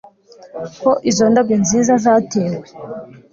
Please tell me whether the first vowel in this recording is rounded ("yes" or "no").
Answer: yes